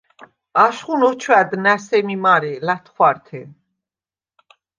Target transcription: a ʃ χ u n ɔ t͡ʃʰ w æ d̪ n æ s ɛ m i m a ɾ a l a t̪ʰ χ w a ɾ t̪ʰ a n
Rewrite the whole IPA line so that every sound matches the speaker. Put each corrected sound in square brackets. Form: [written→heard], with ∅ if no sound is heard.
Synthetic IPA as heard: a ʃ χ u n ɔ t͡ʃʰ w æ d̪ n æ s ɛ m i m a ɾ [a→ɛ] l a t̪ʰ χ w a ɾ t̪ʰ [a→ɛ] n